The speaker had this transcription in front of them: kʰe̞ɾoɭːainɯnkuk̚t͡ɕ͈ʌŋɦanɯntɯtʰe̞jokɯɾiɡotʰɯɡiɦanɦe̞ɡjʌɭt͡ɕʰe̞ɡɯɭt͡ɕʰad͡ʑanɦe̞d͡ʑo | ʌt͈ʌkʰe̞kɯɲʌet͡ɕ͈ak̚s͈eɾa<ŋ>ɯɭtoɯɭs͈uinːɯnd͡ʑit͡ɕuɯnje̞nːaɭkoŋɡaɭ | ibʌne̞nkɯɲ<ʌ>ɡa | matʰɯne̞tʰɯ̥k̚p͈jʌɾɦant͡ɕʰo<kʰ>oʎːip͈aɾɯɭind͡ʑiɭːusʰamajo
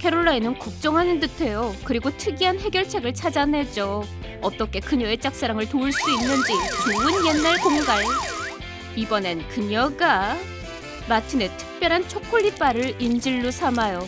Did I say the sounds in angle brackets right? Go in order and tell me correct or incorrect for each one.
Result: correct, correct, correct

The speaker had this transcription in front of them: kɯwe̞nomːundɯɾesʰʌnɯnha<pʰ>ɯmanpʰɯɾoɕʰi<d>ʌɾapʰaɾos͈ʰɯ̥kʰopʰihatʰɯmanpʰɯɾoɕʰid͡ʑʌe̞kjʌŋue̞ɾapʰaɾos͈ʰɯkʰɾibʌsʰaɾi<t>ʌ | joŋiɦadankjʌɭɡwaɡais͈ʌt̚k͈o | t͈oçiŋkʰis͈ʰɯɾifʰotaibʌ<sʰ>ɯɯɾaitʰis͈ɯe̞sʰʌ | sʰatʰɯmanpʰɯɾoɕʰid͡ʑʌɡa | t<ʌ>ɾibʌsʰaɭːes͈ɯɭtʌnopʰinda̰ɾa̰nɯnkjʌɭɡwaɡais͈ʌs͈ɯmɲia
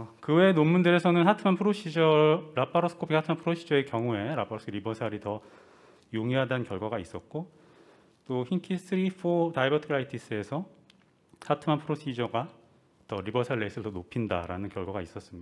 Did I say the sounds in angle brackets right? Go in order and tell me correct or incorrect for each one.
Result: incorrect, incorrect, correct, incorrect, correct

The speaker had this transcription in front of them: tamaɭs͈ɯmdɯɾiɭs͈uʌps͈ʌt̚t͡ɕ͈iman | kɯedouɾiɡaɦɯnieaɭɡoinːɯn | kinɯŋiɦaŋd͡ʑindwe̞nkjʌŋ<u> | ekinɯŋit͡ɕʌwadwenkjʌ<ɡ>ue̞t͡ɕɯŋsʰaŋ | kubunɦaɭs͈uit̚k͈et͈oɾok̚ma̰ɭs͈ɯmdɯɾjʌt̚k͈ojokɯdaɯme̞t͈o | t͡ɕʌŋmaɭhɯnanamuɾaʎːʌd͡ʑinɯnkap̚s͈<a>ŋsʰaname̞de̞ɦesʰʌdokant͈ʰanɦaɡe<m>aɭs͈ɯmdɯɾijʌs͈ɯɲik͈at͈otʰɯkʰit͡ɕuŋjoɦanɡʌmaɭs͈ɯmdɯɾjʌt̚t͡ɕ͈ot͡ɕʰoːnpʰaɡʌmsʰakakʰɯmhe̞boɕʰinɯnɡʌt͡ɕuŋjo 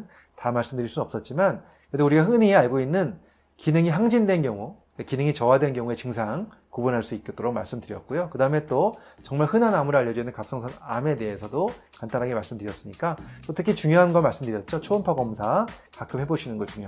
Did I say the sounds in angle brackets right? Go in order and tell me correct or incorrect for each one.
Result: correct, incorrect, incorrect, correct

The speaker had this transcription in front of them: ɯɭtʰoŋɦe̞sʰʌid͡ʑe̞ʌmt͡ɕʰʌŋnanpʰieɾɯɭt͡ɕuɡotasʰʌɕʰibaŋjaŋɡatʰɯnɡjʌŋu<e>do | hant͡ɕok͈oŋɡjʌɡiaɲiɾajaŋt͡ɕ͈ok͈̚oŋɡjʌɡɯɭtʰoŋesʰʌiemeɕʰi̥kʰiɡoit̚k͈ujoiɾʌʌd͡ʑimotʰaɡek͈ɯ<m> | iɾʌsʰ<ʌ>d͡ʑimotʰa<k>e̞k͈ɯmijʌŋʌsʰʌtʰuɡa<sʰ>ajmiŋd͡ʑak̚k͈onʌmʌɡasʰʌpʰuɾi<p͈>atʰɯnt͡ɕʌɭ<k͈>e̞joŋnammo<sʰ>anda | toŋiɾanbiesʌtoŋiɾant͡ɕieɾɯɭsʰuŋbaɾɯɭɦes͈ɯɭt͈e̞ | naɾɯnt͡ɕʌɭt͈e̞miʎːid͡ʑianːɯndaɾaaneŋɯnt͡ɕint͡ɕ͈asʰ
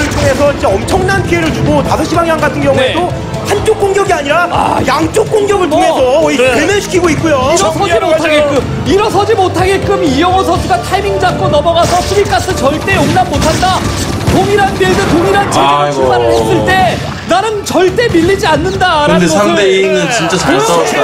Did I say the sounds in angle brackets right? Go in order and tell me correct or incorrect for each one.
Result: correct, correct, correct, incorrect, incorrect, incorrect, incorrect, incorrect

